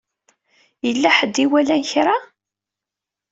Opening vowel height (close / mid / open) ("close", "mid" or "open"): mid